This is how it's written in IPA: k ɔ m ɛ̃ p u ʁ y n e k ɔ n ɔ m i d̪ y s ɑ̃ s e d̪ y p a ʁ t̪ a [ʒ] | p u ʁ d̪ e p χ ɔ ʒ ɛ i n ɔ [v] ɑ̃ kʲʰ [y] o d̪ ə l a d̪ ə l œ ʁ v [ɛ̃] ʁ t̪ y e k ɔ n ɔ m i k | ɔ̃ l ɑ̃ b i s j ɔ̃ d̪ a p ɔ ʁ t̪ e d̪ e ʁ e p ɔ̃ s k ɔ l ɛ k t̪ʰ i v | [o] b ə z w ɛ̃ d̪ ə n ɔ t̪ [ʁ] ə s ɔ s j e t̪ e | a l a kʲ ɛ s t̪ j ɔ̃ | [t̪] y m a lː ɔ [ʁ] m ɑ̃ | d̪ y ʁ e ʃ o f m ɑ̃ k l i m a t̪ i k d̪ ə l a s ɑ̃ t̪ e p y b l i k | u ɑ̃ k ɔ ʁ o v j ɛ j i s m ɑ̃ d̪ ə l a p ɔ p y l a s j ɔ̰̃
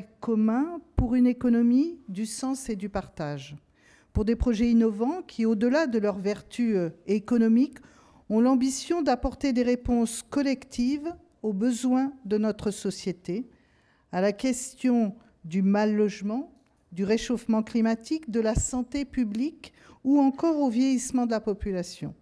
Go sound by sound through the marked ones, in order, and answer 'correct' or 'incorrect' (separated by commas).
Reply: correct, correct, incorrect, incorrect, correct, incorrect, incorrect, incorrect